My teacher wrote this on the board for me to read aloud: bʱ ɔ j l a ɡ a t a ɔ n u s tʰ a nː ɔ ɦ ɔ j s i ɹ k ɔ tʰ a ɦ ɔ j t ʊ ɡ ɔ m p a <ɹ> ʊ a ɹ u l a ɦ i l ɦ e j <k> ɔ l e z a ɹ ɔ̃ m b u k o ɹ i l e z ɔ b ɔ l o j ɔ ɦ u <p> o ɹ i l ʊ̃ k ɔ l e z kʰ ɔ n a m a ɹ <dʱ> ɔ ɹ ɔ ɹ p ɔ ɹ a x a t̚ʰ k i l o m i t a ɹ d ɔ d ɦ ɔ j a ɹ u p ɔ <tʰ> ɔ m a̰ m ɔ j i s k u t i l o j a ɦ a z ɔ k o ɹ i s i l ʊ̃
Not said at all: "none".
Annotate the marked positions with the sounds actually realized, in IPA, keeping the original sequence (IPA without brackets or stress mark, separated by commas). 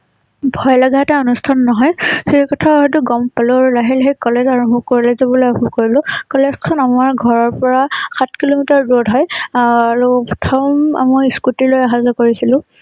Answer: l, k, k, ɡʱ, tʰ